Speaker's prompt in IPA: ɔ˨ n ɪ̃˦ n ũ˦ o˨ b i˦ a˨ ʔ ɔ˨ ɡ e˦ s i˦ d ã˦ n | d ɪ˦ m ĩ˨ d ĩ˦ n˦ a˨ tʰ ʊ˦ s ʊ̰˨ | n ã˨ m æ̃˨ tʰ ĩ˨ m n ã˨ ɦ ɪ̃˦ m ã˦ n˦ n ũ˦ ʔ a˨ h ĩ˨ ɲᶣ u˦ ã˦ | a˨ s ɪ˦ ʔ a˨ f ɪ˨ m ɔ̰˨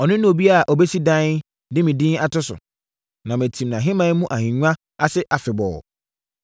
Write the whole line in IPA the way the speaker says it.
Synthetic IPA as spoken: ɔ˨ n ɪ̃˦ n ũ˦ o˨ b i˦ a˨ ʔ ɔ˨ b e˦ s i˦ d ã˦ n | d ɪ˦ m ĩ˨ d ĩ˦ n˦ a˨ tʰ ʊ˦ s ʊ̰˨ | n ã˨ m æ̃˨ tʰ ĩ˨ m n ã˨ ɦ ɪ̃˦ m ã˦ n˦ m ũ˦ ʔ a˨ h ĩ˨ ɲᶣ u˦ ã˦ | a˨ s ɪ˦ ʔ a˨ f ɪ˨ b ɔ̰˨